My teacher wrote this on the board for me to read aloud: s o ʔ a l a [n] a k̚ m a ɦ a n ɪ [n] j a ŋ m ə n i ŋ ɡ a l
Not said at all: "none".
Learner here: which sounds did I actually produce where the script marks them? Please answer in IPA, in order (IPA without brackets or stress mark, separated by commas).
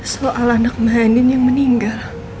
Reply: n, n